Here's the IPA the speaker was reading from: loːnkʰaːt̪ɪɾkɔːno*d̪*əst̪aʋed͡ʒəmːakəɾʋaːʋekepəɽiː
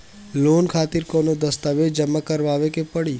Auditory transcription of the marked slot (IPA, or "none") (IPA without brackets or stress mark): d̪